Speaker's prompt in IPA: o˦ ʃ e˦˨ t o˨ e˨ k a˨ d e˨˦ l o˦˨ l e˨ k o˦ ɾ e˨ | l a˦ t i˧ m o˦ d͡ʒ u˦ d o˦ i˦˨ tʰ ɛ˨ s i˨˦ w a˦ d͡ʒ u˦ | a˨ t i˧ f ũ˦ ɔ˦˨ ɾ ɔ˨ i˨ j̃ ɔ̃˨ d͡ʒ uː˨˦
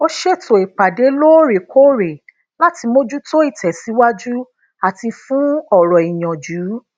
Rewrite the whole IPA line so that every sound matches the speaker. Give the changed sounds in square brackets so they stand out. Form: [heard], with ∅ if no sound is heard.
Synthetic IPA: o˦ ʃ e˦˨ t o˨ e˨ [k͡p] a˨ d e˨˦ l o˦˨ [ɾ] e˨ k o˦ ɾ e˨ | l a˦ t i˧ m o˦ d͡ʒ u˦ [t] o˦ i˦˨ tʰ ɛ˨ s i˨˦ w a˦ d͡ʒ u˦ | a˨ t i˧ f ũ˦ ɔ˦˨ ɾ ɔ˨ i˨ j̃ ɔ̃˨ d͡ʒ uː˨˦